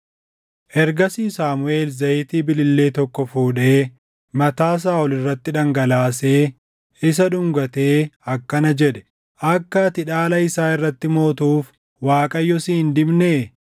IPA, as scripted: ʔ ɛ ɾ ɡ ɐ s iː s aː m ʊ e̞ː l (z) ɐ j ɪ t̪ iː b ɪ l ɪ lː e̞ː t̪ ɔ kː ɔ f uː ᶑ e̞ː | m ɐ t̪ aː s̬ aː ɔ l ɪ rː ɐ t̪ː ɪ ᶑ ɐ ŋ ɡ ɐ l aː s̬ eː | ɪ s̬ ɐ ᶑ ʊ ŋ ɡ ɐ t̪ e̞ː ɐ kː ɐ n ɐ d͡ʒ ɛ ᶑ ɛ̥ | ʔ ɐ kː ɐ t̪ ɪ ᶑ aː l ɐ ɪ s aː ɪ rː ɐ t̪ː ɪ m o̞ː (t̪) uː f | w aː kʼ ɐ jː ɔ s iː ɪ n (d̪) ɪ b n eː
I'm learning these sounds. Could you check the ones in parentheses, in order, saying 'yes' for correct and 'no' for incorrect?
yes, yes, yes

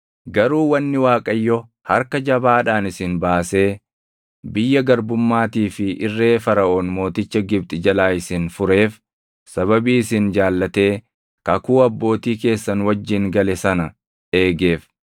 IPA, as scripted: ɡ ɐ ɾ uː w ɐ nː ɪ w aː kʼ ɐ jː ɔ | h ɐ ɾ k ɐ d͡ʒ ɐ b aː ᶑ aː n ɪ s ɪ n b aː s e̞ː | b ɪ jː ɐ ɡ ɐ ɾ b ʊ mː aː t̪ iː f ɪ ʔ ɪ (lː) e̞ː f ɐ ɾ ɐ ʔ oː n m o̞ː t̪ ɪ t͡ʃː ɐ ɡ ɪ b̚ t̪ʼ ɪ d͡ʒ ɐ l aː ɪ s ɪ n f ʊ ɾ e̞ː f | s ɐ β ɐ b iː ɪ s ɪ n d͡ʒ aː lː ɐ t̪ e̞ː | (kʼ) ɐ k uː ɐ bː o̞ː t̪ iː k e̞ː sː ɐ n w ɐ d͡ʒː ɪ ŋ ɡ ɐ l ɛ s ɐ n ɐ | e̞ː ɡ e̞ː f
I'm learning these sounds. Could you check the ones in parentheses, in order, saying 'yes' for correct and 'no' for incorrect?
no, no

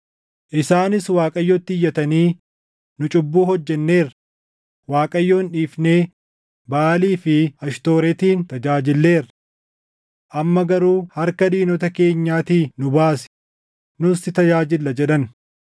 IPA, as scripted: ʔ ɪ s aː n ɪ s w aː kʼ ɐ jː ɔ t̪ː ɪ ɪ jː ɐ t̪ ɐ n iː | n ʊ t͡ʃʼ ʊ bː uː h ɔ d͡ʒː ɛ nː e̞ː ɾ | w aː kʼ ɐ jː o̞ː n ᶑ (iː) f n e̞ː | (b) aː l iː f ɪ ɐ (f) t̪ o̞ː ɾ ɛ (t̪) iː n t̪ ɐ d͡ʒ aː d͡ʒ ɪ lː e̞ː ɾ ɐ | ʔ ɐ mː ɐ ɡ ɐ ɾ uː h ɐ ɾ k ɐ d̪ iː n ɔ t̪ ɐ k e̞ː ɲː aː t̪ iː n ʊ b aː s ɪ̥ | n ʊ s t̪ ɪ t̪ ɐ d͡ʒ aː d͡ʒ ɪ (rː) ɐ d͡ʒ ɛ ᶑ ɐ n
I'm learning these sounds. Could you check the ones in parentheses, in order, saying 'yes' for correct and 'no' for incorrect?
yes, yes, no, yes, no

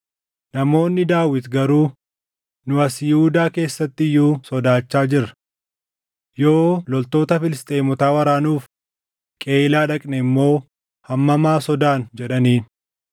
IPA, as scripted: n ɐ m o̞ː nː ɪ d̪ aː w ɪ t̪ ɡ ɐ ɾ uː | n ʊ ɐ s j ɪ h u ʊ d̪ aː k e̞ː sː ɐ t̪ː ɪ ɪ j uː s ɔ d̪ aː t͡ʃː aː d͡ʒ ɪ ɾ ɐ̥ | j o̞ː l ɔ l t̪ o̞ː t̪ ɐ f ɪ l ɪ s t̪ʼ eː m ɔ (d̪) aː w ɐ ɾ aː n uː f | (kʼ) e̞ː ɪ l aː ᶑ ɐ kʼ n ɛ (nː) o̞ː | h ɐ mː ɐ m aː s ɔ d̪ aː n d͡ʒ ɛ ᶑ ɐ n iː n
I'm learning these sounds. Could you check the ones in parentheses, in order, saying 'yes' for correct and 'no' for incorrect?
no, yes, no

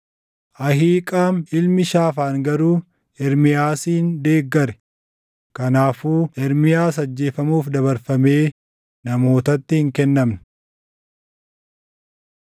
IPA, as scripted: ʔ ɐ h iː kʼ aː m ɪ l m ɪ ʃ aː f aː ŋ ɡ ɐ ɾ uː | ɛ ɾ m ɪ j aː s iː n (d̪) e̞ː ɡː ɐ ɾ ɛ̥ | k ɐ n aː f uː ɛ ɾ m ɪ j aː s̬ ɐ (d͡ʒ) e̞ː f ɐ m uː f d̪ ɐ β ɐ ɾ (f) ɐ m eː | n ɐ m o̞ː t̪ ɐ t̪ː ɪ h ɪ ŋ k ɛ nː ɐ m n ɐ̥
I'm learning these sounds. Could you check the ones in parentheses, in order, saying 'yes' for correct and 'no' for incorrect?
yes, no, yes

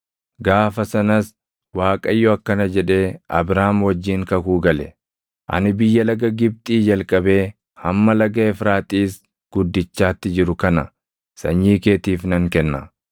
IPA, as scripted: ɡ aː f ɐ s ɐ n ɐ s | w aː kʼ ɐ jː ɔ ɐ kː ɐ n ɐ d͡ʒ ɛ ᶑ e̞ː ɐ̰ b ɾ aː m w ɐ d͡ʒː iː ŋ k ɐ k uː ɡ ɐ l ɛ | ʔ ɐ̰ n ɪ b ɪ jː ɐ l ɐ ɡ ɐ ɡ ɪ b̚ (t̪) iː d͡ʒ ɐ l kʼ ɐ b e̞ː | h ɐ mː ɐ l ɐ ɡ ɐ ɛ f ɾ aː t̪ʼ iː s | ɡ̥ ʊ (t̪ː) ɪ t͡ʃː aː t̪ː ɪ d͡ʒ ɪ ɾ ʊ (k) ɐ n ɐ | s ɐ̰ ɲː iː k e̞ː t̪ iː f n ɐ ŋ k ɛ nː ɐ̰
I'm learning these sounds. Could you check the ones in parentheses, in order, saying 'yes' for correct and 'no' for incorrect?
no, no, yes

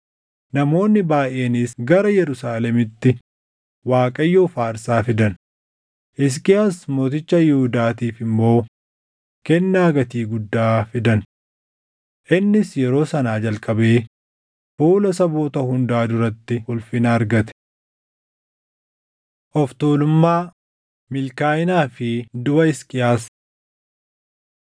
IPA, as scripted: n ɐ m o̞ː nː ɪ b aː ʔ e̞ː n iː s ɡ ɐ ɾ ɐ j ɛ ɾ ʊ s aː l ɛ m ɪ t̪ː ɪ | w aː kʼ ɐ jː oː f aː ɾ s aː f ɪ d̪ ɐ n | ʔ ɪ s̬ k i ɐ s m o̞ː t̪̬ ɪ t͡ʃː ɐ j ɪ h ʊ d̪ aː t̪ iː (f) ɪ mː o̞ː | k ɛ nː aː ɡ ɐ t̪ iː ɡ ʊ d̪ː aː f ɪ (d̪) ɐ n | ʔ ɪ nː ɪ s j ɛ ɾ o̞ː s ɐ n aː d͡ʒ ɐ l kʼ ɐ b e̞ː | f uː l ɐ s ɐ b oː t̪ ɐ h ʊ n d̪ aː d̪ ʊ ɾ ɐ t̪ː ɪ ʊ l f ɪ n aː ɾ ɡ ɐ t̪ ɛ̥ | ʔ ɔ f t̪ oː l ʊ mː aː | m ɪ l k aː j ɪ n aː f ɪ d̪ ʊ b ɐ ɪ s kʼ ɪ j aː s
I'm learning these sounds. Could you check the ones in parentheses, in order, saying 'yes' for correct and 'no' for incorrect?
yes, yes

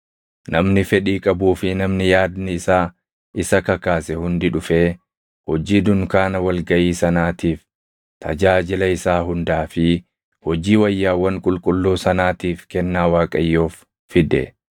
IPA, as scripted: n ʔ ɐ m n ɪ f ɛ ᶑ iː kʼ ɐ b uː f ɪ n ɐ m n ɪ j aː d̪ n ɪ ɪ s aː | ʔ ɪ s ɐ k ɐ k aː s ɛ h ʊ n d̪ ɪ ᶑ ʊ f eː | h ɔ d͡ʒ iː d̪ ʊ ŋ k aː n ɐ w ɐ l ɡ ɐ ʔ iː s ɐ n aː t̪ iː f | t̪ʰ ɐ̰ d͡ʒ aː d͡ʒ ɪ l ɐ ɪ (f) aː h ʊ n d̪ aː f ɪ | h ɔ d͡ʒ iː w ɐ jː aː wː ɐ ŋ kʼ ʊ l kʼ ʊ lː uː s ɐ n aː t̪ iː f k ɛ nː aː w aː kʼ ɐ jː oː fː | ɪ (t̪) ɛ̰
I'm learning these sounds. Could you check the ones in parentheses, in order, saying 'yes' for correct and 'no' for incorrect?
no, no

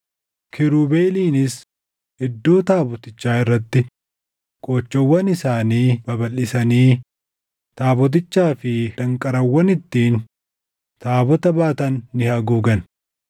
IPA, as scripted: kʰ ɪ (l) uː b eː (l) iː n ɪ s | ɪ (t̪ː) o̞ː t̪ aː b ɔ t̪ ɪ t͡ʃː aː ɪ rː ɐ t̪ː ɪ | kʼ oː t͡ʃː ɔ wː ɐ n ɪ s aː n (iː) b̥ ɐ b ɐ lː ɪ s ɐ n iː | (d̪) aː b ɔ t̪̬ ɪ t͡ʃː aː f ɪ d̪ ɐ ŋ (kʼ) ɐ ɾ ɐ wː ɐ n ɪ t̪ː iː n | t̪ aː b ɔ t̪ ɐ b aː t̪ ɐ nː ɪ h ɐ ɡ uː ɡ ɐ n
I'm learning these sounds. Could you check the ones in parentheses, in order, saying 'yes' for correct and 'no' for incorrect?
no, yes, no, yes, no, yes

